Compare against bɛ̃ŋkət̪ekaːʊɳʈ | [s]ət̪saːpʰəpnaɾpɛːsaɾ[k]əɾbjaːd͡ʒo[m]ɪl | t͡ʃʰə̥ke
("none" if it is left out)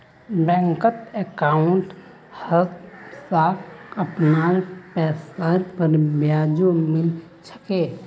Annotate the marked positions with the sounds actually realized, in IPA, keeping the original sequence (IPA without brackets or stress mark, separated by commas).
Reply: h, p, m